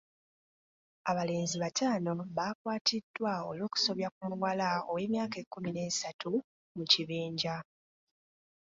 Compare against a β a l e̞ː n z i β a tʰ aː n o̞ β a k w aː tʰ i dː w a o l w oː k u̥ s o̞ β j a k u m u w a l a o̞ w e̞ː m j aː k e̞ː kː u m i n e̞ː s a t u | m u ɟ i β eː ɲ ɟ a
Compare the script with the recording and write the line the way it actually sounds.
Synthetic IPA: a β a l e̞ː n z i β a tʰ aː n o̞ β a k w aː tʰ i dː w a o l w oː k u̥ s o̞ β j a k u m u w a l a o̞ w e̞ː m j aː k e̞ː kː u m i n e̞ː s a t u | m u c i β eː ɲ ɟ a